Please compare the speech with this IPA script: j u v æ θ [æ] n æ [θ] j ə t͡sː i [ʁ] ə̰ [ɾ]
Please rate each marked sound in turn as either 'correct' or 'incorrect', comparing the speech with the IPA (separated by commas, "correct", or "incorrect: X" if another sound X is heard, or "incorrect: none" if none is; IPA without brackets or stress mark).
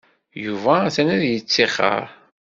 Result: correct, incorrect: ð, incorrect: χ, correct